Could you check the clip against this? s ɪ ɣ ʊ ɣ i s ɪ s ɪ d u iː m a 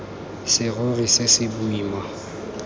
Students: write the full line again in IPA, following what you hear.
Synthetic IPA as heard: s ɪ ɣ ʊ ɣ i s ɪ s ɪ b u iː m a